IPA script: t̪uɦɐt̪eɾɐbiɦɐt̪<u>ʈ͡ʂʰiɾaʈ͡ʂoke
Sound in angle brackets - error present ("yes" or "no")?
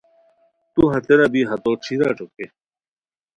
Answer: yes